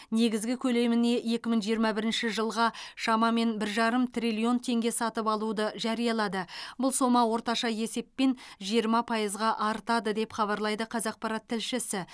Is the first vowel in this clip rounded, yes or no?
no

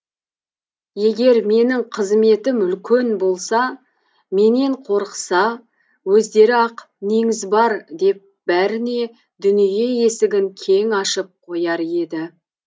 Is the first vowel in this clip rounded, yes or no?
no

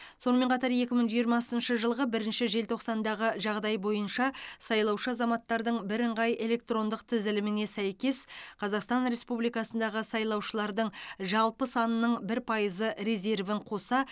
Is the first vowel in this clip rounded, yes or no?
yes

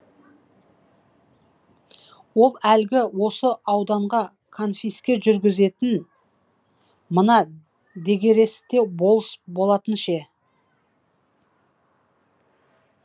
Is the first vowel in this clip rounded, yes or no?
yes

